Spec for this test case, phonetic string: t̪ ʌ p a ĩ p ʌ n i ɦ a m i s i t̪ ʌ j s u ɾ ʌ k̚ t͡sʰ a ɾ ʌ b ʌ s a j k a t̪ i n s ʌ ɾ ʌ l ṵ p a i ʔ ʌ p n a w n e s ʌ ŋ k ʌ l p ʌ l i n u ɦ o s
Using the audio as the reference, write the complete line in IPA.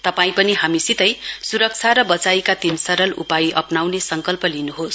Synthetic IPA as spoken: t̪ ʌ p a ĩ p ʌ n i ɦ a m i s i t̪ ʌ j s u ɾ ʌ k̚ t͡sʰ a ɾ ʌ b ʌ t͡s a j k a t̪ i n s ʌ ɾ ʌ l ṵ p a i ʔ ʌ p n a w n e s ʌ ŋ k ʌ l p ʌ l i n u ɦ o s